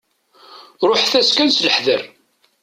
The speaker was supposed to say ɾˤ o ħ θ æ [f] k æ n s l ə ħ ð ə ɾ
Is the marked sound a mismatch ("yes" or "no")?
yes